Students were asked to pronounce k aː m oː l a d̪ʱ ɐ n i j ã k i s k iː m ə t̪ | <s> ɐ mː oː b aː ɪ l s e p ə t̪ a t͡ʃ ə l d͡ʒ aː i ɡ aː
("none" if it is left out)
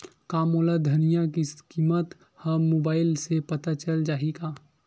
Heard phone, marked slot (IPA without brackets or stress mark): h